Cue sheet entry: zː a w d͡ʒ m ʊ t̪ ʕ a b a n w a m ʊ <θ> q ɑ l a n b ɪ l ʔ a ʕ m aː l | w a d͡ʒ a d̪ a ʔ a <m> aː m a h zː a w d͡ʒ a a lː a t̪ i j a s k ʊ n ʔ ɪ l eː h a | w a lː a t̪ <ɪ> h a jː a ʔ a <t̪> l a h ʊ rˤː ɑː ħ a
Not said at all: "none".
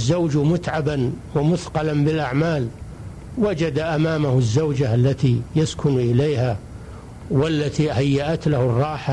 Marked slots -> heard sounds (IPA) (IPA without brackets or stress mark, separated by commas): θ, m, i, t̪